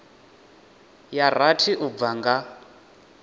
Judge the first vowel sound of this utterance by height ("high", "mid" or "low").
low